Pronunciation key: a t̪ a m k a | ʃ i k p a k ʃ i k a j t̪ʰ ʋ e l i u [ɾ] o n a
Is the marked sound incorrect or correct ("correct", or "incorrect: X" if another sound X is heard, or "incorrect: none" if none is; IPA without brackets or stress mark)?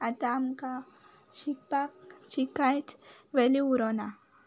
correct